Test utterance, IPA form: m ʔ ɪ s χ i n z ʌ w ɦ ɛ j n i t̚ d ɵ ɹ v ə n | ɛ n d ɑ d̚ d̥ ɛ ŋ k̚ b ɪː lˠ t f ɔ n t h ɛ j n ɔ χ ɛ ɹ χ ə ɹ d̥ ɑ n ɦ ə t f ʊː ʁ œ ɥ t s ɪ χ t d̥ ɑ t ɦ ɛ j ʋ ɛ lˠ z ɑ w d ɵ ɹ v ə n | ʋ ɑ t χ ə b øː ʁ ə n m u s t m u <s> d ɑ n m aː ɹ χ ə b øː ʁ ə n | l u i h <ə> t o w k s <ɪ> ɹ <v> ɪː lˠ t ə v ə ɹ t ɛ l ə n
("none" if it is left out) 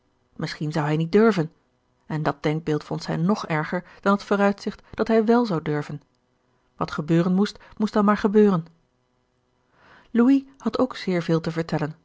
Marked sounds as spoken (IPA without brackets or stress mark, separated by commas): s, ɑ, ɪː, v